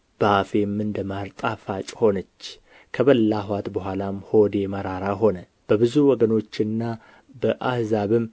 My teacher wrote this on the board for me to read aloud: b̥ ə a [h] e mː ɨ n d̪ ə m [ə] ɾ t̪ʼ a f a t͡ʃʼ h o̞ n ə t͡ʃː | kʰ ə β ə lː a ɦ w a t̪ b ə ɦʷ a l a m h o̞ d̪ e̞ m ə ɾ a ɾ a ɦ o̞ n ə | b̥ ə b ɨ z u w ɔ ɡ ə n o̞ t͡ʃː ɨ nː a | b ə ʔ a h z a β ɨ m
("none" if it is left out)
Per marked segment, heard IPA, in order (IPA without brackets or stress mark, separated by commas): f, a